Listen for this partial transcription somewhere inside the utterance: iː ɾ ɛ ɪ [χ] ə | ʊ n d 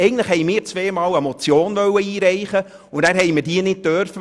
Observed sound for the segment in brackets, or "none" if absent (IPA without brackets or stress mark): χ